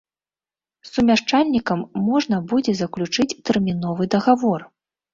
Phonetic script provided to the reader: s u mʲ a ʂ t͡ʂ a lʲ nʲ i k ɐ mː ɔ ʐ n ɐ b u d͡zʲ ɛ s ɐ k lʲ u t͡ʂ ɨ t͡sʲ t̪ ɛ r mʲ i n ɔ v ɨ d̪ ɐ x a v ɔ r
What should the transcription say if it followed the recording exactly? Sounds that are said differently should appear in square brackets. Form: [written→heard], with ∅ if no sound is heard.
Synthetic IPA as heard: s u mʲ a ʂ t͡ʂ a lʲ nʲ i k ɐ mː ɔ ʐ n ɐ b u d͡zʲ ɛ [s→z] ɐ k lʲ u t͡ʂ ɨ t͡sʲ t̪ ɛ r mʲ i n ɔ v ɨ d̪ ɐ [x→ɣ] a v ɔ r